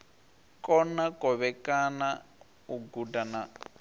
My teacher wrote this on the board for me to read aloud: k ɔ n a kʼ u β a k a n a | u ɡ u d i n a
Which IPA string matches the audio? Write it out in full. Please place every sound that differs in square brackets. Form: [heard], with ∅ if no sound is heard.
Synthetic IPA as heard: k ɔ n a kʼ [ɔ] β [ɛ] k a n a | u ɡ u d [a] n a